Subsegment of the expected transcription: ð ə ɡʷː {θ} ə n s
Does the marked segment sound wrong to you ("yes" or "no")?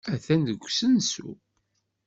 yes